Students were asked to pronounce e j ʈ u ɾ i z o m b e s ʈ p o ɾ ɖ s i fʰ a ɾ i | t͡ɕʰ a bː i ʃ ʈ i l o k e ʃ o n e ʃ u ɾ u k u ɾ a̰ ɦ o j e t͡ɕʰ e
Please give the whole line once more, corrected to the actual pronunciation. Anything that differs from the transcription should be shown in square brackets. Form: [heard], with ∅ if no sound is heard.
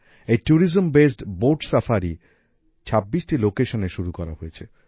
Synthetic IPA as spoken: e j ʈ u ɾ i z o m b e s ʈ [b] o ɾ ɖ s [a] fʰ a ɾ i | t͡ɕʰ a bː i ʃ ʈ i l o k e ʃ o n e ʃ u ɾ u k [ɔ] ɾ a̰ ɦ o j e t͡ɕʰ e